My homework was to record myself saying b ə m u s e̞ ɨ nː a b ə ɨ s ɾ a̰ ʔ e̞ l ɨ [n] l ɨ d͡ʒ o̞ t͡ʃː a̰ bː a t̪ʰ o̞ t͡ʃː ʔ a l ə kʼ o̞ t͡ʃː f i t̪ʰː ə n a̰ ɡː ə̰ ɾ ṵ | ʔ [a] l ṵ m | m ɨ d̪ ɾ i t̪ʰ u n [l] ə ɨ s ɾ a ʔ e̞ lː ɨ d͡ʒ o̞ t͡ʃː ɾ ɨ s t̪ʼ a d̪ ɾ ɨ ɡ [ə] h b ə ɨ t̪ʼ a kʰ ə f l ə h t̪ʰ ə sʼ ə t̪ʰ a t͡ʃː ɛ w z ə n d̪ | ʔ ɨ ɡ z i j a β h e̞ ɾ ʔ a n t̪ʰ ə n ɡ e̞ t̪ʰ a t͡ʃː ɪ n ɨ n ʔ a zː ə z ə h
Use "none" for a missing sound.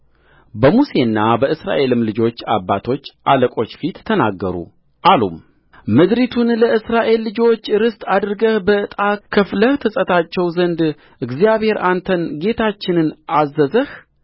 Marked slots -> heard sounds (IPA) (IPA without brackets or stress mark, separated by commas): m, a, l, ə